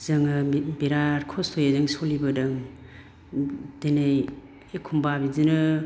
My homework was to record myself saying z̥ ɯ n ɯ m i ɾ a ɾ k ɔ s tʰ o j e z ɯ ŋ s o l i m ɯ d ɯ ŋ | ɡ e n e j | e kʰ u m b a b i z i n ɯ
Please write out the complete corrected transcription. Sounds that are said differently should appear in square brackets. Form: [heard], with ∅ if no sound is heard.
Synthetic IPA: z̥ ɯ [ŋ] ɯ [b] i ɾ a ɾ [kʰ] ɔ s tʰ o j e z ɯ ŋ s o l i [b] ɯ d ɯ ŋ | [d] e n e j | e kʰ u m b a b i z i n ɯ